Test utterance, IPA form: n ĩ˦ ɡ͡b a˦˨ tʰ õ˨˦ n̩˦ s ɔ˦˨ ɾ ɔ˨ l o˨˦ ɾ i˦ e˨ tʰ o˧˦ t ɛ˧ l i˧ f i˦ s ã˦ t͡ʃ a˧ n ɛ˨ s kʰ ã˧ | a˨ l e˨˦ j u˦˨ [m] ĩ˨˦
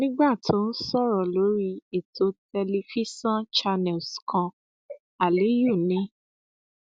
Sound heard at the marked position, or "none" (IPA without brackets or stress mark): n